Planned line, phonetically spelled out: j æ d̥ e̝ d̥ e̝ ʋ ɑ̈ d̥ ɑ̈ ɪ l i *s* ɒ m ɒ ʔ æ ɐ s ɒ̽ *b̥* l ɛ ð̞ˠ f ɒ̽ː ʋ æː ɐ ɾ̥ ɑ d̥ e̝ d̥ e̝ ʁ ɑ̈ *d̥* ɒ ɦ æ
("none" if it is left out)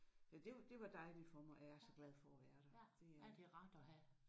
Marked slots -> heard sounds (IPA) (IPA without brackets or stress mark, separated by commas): f, ɡ̥, d̥